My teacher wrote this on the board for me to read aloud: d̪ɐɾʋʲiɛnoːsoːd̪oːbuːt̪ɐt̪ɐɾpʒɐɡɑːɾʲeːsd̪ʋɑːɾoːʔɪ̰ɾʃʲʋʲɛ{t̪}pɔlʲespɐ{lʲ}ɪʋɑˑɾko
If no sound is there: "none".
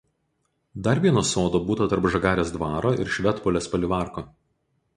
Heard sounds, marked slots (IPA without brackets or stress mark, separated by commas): t̪, lʲ